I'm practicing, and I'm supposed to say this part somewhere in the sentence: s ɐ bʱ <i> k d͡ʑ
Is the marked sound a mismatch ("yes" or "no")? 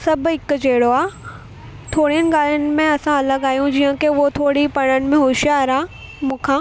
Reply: yes